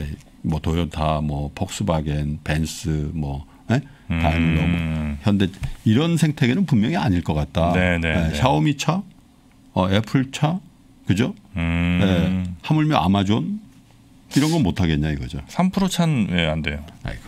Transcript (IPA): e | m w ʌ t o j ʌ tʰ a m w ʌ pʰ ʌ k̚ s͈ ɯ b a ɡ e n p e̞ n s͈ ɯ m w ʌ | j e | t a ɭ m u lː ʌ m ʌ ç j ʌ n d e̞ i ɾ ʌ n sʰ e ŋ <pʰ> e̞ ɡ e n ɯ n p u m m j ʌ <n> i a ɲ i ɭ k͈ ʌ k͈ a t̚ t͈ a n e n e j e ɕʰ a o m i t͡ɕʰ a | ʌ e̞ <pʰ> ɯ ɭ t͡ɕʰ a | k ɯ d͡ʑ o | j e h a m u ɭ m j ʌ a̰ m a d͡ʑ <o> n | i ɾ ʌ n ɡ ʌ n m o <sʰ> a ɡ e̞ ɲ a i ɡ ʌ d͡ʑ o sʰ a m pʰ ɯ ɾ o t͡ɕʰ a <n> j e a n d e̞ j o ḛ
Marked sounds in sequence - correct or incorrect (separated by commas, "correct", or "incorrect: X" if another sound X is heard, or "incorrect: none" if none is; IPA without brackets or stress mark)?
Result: incorrect: tʰ, incorrect: ŋ, correct, correct, incorrect: tʰ, correct